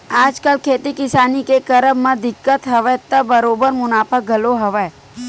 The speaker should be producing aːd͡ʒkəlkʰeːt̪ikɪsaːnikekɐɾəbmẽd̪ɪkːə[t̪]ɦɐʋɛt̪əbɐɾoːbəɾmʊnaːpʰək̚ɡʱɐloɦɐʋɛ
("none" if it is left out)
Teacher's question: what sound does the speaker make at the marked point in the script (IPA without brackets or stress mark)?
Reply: t̪